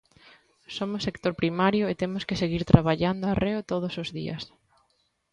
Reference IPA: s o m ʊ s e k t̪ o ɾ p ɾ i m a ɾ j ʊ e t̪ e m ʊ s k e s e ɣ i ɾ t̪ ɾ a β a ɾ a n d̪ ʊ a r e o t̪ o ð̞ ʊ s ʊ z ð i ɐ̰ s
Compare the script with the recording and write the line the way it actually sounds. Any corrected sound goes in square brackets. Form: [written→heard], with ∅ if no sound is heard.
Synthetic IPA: s o m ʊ s e k t̪ o ɾ p ɾ i m a ɾ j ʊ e t̪ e m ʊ s k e s e ɣ i ɾ t̪ ɾ a β a [ɾ→ʎ] a n d̪ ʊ a r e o t̪ o ð̞ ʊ s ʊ z ð i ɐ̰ s

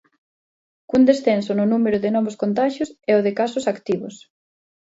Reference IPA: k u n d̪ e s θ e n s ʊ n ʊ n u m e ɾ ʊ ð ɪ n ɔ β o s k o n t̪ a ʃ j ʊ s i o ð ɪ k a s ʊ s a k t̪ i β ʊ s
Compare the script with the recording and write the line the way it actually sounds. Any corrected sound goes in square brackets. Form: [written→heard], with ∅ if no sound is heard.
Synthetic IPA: k u n d̪ e s θ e n s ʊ n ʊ n u m e ɾ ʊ ð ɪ n ɔ β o s k o n t̪ a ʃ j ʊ s [i→ɛ] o ð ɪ k a s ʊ s a k t̪ i β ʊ s

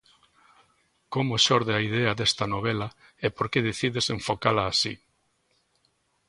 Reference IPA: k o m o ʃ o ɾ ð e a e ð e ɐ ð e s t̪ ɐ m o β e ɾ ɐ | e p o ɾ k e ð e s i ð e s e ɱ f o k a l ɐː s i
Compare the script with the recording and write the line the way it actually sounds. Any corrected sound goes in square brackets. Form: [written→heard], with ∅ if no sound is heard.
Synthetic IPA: k o m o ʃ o ɾ ð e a [e→i] ð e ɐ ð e s t̪ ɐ [m→n] o β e [ɾ→l] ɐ | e p o ɾ k e ð e [s→θ] i ð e s e ɱ f o k a l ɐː s i

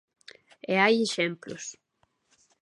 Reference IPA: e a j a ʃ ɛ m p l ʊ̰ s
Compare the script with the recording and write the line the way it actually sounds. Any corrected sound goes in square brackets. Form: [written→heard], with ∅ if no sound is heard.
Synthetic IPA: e a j [a→e] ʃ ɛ m p l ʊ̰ s

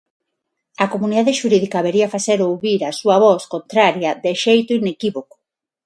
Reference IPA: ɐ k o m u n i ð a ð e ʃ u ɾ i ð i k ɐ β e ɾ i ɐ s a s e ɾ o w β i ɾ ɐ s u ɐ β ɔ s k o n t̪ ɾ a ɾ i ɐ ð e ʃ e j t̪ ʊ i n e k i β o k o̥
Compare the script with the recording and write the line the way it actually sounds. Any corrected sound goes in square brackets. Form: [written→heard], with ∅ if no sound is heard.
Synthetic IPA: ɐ k o m u n i ð a ð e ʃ u ɾ i ð i k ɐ β e ɾ i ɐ [s→f] a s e ɾ o w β i ɾ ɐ s u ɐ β ɔ s k o n t̪ ɾ a ɾ [i→j] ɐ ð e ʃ e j t̪ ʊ i n e k i β o k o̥

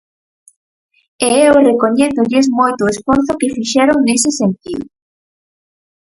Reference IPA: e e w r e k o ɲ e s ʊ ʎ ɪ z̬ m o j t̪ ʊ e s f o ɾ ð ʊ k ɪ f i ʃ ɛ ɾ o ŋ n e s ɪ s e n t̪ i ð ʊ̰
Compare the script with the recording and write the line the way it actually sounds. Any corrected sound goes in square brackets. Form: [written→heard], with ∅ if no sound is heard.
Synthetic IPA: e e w r e k o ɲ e [s→θ] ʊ ʎ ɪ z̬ m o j t̪ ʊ e s f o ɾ [ð→θ] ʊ k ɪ f i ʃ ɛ ɾ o ŋ n e s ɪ s e n t̪ i ð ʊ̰

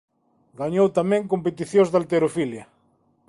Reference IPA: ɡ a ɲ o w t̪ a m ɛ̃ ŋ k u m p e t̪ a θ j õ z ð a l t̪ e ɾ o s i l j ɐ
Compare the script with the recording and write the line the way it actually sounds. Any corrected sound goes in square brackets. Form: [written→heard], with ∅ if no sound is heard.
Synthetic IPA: ɡ a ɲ o w t̪ a m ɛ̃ ŋ k [u→o] m p e t̪ [a→i] θ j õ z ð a l t̪ e ɾ o [s→f] i l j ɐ

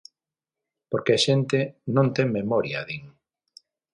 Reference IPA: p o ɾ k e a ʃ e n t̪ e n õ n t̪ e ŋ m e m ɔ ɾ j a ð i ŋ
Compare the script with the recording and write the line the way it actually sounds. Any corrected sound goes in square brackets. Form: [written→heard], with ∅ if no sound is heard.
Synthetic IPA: p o ɾ k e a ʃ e n t̪ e n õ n t̪ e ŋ m e m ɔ ɾ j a ð i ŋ

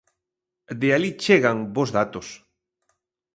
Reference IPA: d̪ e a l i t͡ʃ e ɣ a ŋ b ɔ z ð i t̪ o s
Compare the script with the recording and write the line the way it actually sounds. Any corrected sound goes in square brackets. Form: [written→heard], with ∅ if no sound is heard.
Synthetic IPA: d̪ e a l i t͡ʃ e ɣ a ŋ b [ɔ→o] z ð [i→a] t̪ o s

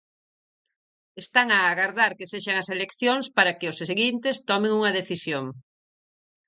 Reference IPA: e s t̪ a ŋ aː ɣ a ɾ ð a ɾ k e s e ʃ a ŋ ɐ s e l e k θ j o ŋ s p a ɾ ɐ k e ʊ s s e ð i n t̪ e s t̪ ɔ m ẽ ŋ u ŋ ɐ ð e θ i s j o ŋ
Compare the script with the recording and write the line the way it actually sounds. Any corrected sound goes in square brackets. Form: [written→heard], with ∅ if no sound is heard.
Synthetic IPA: e s t̪ a ŋ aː ɣ a ɾ ð a ɾ k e s e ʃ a ŋ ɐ s e l e k θ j o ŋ s p a ɾ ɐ k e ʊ s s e [ð→ɣ] i n t̪ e s t̪ ɔ m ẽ ŋ u ŋ ɐ ð e θ i s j o ŋ

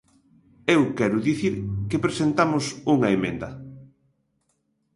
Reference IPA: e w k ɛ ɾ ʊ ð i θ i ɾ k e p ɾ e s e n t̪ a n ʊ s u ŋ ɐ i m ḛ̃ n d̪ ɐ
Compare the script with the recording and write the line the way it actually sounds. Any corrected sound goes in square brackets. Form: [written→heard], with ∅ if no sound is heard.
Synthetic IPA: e w k ɛ ɾ ʊ ð i θ i ɾ k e p ɾ e s e n t̪ a [n→m] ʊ s u ŋ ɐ [i→e] m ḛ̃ n d̪ ɐ

